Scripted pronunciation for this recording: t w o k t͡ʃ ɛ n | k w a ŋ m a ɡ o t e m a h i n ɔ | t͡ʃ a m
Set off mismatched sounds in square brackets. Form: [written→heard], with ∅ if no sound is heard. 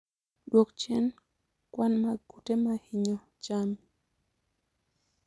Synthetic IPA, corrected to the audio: [t→d] w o k t͡ʃ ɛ n | k w a [ŋ→n] m a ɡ [o→u] t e m a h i [n→ɲ] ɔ | t͡ʃ a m